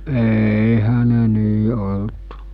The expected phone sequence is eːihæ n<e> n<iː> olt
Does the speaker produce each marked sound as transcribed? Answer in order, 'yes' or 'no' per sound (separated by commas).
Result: yes, yes